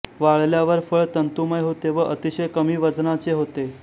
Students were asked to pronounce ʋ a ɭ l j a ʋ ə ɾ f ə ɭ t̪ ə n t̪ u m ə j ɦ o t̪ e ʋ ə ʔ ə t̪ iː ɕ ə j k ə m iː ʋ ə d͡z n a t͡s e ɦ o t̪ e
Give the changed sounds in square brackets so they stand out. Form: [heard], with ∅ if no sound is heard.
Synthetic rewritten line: ʋ a ɭ l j a ʋ ə ɾ f ə ɭ t̪ ə n t̪ u m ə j ɦ o t̪ e ʋ ə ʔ ə t̪ [i] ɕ ə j k ə m iː ʋ ə d͡z n a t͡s e ɦ o t̪ e